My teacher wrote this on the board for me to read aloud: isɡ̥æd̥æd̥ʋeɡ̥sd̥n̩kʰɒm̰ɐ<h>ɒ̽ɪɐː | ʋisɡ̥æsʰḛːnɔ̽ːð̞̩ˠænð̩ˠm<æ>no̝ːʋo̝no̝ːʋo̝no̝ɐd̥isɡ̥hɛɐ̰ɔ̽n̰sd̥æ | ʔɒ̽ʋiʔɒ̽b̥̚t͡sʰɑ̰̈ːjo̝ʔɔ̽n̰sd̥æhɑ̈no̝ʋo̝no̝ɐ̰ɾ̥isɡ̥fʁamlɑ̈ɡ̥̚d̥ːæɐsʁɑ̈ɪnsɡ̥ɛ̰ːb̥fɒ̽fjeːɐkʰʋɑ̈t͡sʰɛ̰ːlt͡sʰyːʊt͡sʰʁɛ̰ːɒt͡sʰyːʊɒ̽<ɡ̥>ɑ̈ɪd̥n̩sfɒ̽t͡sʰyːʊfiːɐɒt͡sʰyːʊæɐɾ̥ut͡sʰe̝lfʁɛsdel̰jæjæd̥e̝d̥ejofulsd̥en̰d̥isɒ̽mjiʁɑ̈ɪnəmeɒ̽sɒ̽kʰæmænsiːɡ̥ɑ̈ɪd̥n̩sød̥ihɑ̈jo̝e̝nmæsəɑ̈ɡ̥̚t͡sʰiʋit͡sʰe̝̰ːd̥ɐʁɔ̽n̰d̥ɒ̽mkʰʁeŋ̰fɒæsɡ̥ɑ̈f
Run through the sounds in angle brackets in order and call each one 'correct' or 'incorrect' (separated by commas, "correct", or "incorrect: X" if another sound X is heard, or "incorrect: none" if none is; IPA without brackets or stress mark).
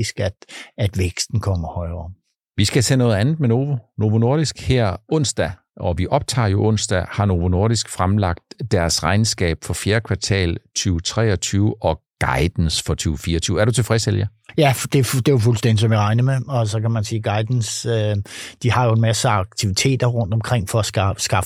correct, incorrect: e, correct